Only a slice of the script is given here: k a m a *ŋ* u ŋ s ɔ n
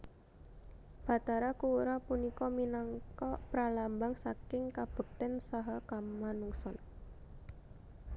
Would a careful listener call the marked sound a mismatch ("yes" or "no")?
yes